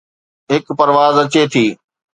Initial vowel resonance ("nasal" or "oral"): oral